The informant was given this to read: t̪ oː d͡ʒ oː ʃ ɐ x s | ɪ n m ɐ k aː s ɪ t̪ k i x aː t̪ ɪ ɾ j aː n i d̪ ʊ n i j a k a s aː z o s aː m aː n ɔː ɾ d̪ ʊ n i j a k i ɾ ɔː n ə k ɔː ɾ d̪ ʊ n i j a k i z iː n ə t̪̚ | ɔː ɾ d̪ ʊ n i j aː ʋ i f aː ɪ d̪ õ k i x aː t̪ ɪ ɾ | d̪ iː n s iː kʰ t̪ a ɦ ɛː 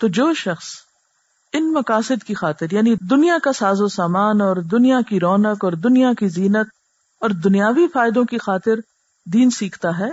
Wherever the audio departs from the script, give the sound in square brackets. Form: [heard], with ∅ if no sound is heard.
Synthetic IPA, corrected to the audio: t̪ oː d͡ʒ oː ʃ ɐ x s | ɪ n m ɐ k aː s ɪ [d̪] k i x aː t̪ ɪ ɾ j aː n i d̪ ʊ n i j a k a s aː z o s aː m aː n ɔː ɾ d̪ ʊ n i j a k i ɾ ɔː n ə k ɔː ɾ d̪ ʊ n i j a k i z iː n ə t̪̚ | ɔː ɾ d̪ ʊ n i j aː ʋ i f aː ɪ d̪ õ k i x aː t̪ ɪ ɾ | d̪ iː n s iː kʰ t̪ a ɦ ɛː